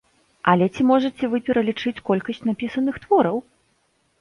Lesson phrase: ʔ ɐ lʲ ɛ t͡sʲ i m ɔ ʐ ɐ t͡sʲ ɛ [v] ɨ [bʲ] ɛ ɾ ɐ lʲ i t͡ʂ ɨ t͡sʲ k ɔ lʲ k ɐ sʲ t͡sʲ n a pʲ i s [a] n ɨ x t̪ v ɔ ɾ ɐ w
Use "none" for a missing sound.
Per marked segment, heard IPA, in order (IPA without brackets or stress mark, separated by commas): v, pʲ, ɐ